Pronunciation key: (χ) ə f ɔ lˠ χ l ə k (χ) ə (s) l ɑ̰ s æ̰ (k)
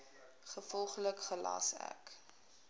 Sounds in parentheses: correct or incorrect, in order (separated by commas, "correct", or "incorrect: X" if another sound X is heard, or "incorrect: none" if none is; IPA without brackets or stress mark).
correct, correct, incorrect: none, correct